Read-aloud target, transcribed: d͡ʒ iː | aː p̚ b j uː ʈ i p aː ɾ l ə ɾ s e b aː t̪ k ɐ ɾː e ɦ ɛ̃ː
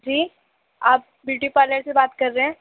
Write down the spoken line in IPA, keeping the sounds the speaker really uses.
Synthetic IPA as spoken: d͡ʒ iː | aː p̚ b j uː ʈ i p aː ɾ l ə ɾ s e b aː t̪ k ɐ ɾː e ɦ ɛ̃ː